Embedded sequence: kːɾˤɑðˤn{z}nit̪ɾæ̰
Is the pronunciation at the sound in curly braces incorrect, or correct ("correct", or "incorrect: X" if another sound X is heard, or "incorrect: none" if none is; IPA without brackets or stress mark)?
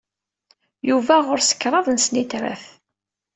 incorrect: s